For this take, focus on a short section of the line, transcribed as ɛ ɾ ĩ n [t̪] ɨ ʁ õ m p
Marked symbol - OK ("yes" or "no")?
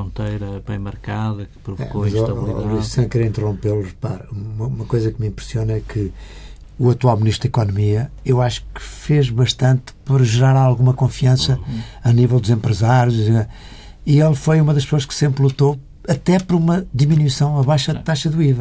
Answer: yes